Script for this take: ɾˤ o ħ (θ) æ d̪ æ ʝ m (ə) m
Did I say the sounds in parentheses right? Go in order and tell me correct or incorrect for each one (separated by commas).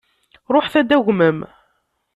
correct, correct